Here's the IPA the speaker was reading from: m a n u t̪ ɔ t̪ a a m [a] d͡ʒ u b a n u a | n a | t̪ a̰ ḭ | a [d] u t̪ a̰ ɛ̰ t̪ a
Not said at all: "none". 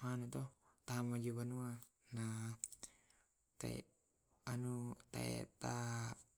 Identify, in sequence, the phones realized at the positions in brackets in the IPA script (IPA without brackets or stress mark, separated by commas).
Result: a, n